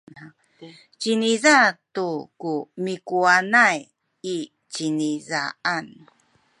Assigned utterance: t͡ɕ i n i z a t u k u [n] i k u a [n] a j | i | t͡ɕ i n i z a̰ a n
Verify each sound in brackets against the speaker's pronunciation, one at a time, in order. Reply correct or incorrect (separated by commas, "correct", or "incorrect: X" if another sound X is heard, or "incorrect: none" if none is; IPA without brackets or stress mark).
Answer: incorrect: m, correct